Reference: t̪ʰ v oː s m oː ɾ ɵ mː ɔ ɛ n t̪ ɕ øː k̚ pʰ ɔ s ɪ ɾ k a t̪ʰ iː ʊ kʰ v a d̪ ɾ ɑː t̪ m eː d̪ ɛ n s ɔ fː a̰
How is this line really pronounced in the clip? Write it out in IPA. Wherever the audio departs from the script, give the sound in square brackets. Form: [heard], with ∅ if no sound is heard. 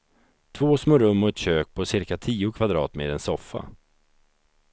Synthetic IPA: t̪ʰ v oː s m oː ɾ ɵ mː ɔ ɛ [∅] t̪ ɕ øː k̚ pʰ ɔ s ɪ ɾ k a t̪ʰ iː ʊ kʰ v a d̪ ɾ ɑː t̪ m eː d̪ ɛ n s ɔ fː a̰